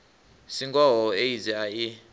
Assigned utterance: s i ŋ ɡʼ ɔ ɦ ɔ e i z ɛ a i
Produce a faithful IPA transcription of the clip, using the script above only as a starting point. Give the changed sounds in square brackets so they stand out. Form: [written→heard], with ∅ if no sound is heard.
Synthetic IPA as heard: s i ŋ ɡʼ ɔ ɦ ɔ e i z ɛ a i